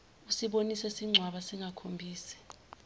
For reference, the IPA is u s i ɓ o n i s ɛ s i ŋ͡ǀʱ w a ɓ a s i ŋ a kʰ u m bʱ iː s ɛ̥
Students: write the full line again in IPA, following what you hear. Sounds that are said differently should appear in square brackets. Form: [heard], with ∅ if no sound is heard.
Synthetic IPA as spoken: u s i ɓ o n i s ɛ s i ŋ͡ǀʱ w a ɓ a s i ŋ a kʰ [o] m bʱ iː s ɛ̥